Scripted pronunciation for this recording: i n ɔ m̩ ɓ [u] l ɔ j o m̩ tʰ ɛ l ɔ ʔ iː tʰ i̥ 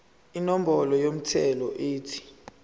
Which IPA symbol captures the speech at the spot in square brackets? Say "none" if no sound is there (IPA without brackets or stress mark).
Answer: ɔ